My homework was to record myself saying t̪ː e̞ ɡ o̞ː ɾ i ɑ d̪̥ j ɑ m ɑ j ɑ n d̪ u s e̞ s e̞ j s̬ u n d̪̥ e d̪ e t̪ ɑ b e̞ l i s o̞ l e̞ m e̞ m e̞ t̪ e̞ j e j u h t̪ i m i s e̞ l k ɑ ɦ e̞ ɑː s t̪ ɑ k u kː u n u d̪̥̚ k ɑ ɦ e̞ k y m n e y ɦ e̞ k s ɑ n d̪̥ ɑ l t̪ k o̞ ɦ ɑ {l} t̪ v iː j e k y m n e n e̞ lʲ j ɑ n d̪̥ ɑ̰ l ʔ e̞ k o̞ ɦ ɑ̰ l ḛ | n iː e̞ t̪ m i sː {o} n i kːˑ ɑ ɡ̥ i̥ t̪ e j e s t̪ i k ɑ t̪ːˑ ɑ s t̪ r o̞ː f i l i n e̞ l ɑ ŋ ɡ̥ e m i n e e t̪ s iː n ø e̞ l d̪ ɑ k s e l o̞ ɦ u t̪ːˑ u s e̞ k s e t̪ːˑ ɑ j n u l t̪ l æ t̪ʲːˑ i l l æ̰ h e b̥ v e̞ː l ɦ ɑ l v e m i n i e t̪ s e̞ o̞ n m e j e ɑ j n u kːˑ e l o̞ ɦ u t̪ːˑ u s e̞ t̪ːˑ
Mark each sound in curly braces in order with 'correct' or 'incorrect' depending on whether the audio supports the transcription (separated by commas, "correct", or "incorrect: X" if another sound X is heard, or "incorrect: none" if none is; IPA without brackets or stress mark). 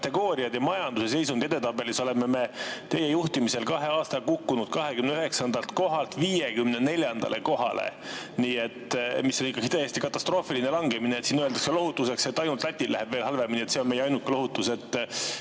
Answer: correct, correct